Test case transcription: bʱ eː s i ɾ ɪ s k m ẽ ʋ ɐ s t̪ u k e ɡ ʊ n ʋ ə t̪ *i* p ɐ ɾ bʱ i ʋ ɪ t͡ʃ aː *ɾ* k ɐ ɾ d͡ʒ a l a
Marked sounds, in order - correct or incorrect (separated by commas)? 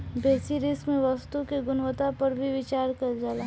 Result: incorrect, correct